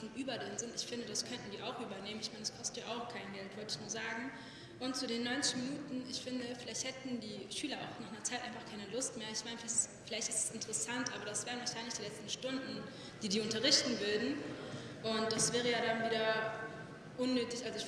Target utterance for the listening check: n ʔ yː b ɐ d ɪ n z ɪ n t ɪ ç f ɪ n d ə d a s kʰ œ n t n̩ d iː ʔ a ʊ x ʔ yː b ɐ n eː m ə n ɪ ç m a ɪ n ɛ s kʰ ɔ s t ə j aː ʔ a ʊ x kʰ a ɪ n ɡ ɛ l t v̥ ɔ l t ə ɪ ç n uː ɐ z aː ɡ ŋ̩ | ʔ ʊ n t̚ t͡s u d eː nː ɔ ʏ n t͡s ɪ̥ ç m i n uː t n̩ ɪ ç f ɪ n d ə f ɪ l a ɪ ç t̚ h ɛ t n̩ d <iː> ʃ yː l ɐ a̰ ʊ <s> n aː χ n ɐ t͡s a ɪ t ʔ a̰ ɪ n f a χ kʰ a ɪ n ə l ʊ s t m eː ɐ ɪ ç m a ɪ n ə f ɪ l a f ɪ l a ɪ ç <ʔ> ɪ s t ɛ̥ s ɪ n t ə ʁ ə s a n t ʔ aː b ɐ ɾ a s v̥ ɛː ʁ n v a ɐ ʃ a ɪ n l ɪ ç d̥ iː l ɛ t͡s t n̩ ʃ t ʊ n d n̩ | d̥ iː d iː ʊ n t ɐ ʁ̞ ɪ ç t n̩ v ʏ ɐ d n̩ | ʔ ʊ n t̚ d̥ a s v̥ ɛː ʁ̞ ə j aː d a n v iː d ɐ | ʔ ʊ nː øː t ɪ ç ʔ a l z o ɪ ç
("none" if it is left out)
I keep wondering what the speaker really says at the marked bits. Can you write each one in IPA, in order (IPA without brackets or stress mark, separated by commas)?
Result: iː, x, t